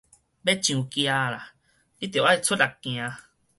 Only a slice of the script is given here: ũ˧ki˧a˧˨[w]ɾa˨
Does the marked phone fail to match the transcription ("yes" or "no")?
yes